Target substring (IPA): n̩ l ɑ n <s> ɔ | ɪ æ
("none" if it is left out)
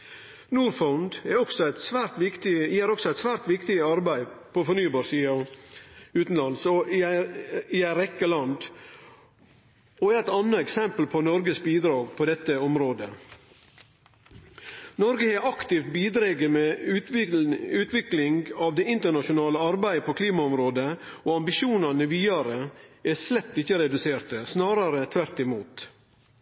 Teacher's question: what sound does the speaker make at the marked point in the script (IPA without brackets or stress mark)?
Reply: s